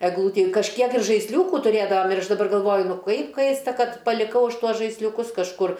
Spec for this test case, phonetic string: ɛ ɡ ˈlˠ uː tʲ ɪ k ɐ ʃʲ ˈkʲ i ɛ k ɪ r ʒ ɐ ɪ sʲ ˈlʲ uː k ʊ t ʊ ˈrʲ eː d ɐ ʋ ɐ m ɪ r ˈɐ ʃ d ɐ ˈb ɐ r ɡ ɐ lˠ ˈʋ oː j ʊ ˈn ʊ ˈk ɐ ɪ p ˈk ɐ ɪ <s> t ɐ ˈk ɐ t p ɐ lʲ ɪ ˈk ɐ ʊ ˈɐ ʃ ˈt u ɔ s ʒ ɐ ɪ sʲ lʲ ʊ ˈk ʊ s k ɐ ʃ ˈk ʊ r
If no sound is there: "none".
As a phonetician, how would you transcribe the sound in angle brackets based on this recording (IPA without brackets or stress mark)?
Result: s